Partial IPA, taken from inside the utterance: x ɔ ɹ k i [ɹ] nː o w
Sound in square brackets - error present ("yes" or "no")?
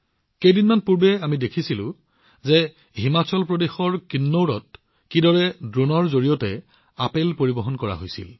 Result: yes